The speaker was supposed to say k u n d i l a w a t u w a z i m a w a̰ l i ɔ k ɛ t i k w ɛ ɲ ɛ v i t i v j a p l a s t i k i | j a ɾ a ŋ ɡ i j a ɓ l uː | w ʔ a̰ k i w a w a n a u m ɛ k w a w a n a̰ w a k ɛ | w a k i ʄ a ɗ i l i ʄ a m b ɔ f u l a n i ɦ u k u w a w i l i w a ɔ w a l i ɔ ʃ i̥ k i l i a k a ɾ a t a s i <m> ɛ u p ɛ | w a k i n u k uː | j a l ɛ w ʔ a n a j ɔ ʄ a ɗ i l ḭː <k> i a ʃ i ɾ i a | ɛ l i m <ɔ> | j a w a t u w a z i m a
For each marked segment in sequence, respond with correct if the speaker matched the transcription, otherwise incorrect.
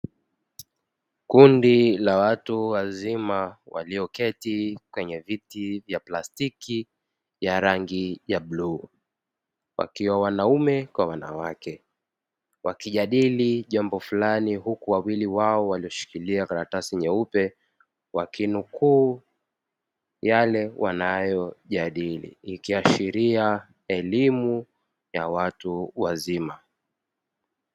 incorrect: ɲ, correct, incorrect: u

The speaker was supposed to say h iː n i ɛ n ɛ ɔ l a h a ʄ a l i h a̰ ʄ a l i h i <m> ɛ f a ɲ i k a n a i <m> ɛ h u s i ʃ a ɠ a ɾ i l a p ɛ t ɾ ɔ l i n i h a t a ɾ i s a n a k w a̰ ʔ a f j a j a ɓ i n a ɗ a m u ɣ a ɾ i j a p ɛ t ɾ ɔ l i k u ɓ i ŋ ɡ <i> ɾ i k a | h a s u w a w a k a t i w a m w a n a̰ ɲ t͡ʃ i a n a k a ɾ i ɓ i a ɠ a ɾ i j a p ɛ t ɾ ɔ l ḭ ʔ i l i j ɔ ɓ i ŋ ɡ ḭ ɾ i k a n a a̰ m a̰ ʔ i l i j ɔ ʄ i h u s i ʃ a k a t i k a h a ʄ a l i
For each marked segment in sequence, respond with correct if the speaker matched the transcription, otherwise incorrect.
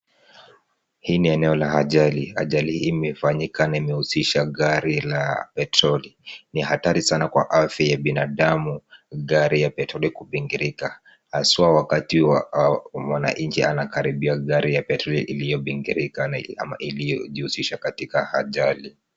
correct, correct, correct

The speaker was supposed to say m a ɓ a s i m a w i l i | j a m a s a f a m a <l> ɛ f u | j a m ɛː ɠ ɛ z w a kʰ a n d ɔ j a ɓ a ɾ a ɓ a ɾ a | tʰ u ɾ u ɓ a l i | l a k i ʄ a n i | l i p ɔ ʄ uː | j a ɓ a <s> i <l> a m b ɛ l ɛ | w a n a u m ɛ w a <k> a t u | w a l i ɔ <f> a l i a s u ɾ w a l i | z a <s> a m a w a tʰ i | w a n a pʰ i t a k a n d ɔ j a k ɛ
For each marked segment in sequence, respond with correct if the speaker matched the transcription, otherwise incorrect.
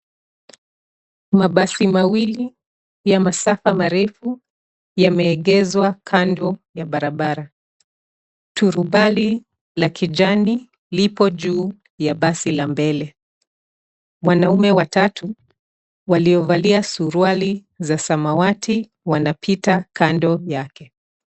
incorrect: ɾ, correct, correct, incorrect: t, incorrect: v, correct

